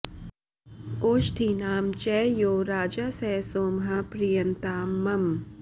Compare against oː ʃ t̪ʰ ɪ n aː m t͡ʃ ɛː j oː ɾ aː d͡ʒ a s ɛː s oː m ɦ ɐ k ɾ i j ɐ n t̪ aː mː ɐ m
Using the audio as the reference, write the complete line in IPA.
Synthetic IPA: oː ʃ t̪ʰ i n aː m t͡ʃ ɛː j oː ɾ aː d͡ʒ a s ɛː s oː m ɦ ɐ p ɾ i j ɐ n t̪ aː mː ɐ m